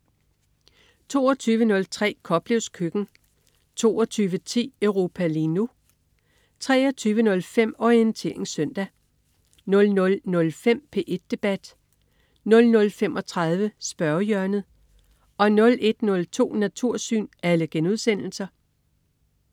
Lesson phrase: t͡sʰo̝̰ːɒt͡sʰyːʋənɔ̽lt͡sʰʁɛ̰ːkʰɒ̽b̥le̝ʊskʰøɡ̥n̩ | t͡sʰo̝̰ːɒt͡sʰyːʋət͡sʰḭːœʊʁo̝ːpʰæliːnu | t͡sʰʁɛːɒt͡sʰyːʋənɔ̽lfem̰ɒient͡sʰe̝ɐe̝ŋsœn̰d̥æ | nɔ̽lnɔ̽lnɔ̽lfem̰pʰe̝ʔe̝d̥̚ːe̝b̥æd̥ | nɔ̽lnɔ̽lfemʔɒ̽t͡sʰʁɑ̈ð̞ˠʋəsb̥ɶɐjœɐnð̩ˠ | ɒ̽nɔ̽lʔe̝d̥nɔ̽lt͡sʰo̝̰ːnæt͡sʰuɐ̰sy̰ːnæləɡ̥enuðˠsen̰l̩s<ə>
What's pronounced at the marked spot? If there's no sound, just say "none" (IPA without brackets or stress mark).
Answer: ɐ